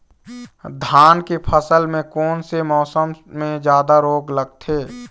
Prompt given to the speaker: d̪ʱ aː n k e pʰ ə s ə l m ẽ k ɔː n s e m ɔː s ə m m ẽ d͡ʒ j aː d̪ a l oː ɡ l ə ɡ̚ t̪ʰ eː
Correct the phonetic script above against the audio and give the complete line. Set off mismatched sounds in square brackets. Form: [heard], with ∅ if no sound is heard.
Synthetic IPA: d̪ʱ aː n k e pʰ ə s ə l m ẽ k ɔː n s e m ɔː s ə m m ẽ d͡ʒ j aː d̪ a [ɾ] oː ɡ l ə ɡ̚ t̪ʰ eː